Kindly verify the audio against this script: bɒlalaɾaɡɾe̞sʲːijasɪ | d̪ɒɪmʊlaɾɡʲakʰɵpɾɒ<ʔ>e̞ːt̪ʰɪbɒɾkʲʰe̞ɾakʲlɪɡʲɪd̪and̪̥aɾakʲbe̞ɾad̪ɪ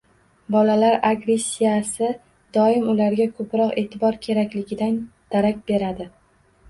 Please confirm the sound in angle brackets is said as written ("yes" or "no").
no